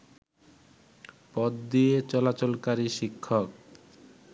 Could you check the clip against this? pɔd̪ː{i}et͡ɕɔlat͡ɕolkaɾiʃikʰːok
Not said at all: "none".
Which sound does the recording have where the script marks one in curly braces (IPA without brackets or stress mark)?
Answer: i